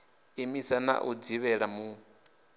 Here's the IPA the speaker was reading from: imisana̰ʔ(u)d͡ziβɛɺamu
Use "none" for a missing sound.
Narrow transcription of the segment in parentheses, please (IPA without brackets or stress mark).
u